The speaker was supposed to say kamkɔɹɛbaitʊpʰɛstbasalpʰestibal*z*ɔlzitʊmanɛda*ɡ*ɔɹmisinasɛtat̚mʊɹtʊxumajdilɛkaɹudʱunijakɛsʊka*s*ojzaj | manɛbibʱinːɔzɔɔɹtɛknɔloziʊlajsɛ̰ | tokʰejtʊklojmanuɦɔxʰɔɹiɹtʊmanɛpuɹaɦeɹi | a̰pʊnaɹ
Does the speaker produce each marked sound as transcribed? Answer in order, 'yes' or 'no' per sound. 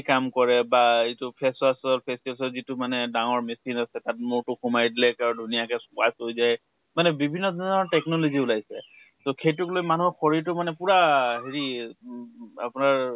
no, no, yes

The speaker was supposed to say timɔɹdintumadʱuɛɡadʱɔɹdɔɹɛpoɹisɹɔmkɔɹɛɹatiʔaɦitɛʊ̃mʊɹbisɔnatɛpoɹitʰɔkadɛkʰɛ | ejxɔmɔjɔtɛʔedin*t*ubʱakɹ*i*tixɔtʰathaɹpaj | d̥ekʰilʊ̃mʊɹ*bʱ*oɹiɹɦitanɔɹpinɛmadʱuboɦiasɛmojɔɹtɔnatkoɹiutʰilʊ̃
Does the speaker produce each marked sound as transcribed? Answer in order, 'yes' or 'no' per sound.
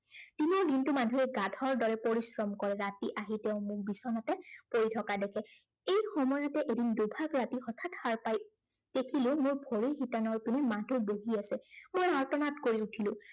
no, no, yes

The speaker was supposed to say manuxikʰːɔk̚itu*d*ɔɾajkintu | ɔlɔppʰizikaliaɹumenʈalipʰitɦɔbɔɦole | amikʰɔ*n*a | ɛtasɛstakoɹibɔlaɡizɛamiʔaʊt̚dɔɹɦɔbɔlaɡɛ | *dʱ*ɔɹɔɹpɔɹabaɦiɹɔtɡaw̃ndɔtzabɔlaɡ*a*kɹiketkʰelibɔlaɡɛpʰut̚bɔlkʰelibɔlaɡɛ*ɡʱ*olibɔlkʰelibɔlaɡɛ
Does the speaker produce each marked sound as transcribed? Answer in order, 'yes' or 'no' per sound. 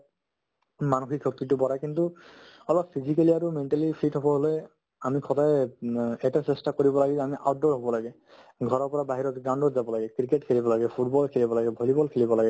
no, no, no, no, no

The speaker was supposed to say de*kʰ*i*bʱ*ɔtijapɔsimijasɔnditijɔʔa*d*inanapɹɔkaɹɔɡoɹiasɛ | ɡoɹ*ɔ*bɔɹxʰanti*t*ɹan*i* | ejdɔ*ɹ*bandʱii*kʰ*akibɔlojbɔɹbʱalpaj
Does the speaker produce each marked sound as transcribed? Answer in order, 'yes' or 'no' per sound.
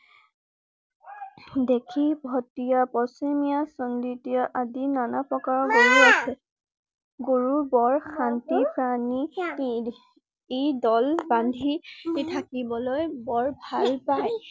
yes, yes, yes, no, no, yes, no, no

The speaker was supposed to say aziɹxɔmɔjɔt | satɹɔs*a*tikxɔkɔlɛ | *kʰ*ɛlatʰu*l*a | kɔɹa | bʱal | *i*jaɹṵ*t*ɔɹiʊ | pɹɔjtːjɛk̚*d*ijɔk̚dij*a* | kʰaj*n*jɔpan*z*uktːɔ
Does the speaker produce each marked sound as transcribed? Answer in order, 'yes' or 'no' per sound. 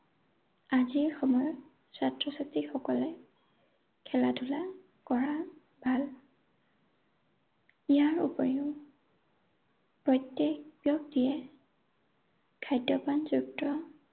yes, yes, yes, yes, no, no, no, no, yes

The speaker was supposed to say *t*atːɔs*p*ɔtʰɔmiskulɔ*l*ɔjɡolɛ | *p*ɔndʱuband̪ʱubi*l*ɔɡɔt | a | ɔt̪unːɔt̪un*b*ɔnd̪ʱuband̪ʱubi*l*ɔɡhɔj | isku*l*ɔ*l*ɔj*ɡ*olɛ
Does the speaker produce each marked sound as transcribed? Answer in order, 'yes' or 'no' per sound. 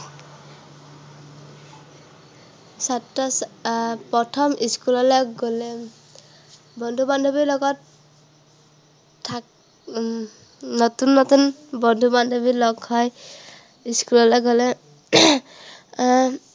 no, yes, yes, no, yes, yes, yes, yes, yes, yes

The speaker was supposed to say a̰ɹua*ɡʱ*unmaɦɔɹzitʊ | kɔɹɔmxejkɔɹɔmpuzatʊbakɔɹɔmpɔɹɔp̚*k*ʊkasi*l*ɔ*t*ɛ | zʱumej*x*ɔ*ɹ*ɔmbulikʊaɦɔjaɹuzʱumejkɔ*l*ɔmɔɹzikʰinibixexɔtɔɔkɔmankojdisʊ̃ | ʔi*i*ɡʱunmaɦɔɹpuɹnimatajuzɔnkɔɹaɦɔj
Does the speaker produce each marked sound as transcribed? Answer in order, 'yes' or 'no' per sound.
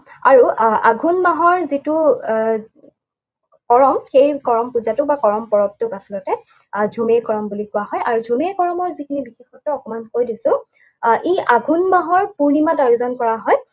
yes, no, yes, yes, no, yes, no, no

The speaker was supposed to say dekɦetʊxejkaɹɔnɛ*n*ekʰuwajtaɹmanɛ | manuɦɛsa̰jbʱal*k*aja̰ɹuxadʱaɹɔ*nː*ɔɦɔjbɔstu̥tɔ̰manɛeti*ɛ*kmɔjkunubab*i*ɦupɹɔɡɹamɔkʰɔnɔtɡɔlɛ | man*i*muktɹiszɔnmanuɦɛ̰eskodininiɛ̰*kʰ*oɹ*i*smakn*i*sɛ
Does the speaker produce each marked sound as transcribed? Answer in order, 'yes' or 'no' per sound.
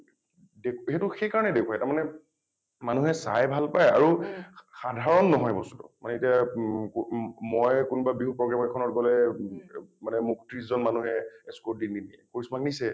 no, no, yes, no, yes, no, no, yes, yes

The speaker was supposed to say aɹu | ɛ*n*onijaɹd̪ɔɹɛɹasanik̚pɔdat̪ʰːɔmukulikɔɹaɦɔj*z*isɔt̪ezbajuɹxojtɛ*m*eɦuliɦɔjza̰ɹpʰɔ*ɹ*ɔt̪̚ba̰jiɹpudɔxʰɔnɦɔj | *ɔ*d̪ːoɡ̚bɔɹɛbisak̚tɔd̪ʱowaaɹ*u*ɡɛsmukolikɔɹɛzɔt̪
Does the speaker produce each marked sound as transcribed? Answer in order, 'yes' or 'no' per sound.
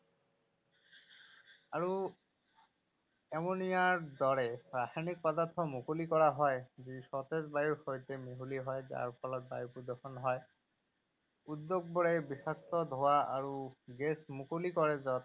no, yes, yes, no, no, yes

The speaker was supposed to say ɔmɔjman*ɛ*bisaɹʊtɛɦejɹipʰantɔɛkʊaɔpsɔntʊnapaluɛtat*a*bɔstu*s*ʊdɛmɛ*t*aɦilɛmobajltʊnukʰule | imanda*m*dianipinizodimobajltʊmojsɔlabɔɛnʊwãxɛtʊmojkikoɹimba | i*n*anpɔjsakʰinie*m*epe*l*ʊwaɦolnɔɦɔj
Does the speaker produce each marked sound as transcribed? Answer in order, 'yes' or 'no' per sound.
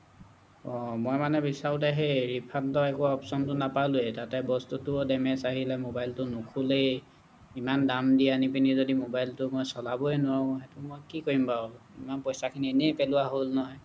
yes, no, no, no, yes, no, no, yes

